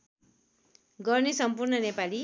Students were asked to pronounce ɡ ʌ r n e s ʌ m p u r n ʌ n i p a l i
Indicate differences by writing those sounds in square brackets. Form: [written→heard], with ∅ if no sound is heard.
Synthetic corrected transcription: ɡ ʌ r n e s ʌ m p u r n ʌ n [i→e] p a l i